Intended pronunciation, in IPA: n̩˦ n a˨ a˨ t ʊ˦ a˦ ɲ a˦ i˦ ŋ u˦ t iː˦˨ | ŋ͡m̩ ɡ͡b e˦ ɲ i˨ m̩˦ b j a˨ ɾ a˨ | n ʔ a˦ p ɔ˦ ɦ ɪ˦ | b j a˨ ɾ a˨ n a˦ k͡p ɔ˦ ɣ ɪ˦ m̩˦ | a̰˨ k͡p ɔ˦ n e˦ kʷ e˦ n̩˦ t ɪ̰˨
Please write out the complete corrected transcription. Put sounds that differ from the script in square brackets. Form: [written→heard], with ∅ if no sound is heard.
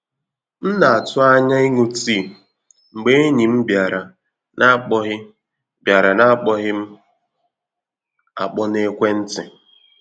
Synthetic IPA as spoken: n̩˦ n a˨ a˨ t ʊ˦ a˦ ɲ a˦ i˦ ŋ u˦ t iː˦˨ | ŋ͡m̩ ɡ͡b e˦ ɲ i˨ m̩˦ b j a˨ ɾ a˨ | n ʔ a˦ [p→k͡p] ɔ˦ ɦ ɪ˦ | b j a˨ ɾ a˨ n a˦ k͡p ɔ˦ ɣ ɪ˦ m̩˦ | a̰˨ k͡p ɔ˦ n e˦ kʷ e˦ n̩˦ t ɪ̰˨